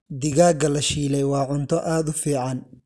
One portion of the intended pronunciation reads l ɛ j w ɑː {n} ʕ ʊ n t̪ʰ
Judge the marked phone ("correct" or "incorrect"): incorrect